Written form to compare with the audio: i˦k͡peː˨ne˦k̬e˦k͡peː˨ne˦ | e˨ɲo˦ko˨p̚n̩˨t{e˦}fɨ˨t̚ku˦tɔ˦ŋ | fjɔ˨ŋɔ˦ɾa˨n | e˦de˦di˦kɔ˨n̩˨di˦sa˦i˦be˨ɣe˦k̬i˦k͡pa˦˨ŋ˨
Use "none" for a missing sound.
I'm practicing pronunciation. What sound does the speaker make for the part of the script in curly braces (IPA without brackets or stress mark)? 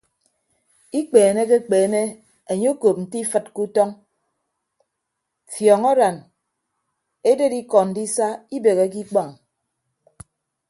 i˦